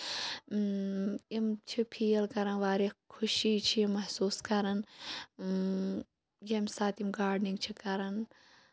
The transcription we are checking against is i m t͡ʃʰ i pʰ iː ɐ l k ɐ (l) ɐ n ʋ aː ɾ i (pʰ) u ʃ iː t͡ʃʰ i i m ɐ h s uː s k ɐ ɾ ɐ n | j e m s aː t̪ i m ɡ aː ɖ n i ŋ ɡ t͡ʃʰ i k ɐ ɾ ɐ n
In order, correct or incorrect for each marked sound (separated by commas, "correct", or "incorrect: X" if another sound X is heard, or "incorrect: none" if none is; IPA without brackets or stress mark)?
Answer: incorrect: ɾ, incorrect: kʰ